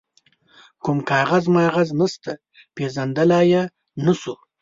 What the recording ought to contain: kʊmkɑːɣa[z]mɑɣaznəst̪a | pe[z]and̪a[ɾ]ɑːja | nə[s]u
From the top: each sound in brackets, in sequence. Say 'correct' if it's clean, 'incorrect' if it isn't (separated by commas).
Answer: correct, correct, incorrect, correct